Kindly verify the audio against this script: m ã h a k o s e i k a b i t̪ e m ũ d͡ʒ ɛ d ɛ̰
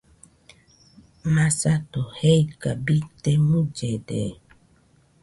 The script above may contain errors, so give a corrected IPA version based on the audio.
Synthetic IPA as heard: m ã s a t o h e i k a b i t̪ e m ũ d͡ʒ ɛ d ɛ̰